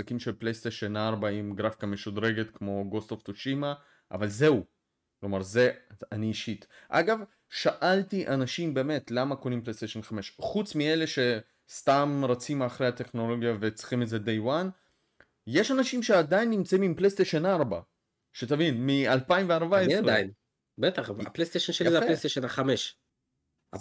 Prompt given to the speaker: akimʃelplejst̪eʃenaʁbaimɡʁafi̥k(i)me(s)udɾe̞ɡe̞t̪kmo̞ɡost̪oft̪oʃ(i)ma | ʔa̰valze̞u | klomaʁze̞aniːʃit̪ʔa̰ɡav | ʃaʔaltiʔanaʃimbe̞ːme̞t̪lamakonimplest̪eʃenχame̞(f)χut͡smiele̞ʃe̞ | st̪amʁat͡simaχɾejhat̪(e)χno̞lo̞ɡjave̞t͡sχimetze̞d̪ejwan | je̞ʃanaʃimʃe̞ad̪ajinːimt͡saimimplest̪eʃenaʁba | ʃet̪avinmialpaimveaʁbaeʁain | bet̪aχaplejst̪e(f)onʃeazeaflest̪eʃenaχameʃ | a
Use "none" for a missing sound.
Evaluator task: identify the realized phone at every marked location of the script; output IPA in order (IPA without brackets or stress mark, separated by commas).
a, ʃ, i, ʃ, e, ʃ